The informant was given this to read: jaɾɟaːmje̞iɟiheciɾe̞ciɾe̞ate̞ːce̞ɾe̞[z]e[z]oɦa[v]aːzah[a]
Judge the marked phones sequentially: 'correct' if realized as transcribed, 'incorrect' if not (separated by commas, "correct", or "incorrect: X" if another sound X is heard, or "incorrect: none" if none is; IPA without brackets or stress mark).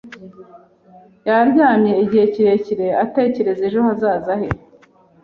correct, incorrect: ʒ, incorrect: z, incorrect: e